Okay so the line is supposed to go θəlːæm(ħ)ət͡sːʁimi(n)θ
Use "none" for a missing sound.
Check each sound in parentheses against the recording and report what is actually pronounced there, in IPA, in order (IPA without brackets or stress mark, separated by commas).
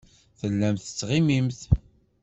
θ, m